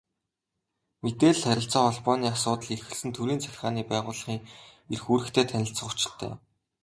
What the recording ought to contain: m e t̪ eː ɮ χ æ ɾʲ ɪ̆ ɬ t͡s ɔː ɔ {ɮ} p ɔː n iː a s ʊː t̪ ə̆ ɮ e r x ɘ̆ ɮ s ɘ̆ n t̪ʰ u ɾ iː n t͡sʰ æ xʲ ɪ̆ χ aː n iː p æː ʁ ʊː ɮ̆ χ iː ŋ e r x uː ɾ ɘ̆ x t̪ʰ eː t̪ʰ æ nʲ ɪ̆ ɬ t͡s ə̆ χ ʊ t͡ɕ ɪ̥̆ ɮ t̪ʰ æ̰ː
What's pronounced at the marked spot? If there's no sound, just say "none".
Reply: ɮ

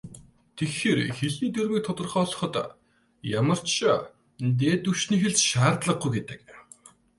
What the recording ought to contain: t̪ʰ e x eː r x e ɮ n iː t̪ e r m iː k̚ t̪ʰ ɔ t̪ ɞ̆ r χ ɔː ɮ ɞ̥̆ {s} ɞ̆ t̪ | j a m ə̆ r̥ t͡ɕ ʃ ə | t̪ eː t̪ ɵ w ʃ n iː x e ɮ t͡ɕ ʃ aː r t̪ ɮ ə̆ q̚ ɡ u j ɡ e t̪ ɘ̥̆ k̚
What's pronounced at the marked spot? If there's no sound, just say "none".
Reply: χ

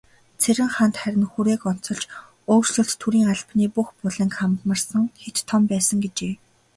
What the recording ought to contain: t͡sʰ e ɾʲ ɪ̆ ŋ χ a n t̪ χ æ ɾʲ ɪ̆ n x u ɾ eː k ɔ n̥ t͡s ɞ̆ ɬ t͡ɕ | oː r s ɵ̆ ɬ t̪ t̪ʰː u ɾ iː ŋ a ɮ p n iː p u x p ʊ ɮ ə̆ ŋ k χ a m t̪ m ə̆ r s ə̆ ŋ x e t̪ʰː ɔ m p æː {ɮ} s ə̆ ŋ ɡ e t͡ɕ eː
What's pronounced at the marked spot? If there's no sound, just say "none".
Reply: none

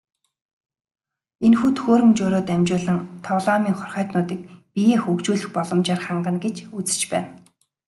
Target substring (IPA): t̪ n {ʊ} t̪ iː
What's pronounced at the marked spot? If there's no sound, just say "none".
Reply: ʊː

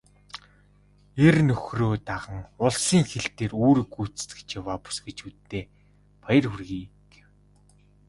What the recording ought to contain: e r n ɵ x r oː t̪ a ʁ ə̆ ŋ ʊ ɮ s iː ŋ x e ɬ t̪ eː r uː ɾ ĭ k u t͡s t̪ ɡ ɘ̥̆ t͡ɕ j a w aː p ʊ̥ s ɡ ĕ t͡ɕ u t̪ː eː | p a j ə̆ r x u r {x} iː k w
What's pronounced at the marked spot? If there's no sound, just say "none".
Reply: ɣ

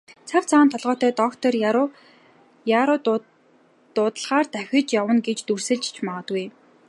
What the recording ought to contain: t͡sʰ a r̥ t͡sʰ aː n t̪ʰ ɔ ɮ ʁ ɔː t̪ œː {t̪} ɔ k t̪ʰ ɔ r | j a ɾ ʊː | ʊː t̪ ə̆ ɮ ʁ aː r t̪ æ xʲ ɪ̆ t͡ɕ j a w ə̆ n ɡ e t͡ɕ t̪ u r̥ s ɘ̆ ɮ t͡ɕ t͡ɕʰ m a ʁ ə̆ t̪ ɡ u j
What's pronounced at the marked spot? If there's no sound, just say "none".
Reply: t̪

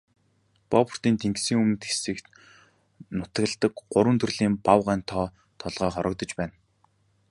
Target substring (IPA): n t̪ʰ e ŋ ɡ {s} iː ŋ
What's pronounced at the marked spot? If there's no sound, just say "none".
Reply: s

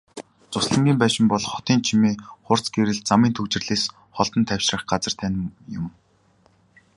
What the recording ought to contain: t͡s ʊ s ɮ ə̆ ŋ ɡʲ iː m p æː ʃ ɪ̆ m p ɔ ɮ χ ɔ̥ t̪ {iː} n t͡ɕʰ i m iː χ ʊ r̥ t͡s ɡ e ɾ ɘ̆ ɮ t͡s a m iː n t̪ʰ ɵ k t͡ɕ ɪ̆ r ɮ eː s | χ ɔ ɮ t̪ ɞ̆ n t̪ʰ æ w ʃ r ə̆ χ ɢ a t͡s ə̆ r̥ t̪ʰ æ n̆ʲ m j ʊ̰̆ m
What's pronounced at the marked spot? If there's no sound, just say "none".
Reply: iː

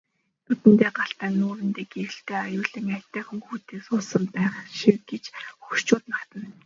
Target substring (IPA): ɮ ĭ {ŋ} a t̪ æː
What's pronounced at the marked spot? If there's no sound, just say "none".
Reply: ŋ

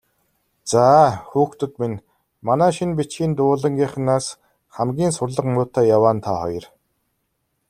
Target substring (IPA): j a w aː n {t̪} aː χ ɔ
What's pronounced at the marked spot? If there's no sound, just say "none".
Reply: t̪ʰ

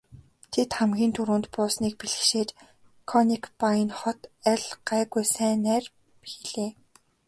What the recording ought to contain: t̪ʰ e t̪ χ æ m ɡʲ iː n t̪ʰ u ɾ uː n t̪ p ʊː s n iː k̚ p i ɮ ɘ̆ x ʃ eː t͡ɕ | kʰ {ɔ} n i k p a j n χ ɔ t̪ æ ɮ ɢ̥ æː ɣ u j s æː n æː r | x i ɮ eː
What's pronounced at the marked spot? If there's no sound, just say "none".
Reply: ɔ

